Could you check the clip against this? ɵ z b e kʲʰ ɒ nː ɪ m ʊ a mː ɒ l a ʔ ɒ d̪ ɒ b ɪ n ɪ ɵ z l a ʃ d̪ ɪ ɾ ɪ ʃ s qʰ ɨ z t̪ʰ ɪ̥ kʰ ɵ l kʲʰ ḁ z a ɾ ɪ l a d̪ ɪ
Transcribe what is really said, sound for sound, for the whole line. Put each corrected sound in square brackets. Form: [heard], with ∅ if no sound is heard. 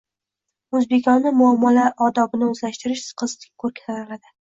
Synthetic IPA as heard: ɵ z b e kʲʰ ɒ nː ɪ m ʊ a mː ɒ l a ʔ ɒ d̪ ɒ b ɪ n ɪ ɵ z l a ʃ [t̪] ɪ ɾ ɪ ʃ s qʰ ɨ z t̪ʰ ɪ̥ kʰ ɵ [ɾ] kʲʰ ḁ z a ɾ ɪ l a d̪ ɪ